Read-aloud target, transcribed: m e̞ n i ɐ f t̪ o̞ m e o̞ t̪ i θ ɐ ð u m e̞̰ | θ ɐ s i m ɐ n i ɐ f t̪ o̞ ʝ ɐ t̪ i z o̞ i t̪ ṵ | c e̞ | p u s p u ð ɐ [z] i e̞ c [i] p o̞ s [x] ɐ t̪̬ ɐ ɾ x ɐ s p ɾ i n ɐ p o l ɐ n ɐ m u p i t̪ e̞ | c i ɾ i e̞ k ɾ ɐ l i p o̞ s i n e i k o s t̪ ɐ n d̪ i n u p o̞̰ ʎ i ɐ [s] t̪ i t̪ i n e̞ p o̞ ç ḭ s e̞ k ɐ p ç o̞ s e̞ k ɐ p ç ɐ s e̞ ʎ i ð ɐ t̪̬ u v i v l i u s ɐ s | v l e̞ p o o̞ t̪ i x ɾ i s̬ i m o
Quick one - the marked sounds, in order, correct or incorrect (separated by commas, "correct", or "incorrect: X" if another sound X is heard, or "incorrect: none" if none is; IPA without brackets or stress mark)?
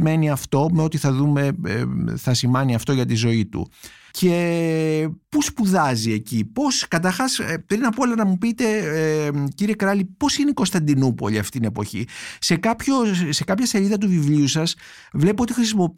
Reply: correct, correct, incorrect: k, incorrect: f